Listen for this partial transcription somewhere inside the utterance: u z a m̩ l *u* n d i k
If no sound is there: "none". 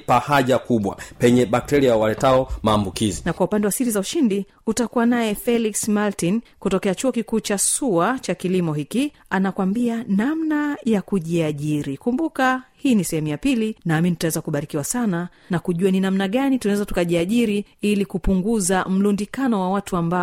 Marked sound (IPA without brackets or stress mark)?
u